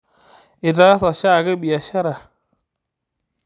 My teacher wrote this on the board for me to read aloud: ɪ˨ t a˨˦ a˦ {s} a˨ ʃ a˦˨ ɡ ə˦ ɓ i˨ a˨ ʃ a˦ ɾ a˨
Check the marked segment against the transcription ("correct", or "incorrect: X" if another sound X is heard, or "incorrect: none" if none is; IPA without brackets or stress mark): correct